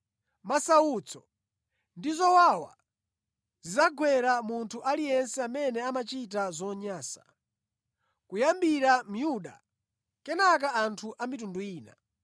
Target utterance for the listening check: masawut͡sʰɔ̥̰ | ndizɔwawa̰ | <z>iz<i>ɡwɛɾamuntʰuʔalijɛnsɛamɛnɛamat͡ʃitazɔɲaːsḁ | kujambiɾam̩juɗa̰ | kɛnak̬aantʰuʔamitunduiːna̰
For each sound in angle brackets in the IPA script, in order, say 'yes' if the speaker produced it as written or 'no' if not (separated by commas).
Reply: yes, no